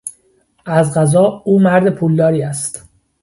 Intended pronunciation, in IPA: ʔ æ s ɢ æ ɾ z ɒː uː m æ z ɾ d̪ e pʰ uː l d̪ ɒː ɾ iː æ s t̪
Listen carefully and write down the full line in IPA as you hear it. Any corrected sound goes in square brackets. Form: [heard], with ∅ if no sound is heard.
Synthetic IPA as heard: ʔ æ [z] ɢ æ [∅] z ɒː uː m æ [∅] ɾ d̪ e pʰ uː l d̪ ɒː ɾ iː æ s t̪